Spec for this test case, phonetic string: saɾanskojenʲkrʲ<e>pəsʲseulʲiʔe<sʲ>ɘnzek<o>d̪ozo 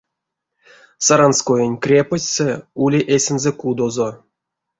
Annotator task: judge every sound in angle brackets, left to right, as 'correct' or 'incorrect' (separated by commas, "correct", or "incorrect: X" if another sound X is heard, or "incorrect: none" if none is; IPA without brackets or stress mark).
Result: correct, correct, incorrect: u